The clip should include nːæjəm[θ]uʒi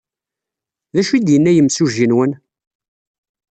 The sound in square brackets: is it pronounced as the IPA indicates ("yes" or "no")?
no